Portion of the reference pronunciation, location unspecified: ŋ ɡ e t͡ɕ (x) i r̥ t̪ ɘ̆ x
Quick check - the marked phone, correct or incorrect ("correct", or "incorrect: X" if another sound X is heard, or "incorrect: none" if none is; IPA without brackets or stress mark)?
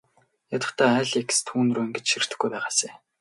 incorrect: ʃ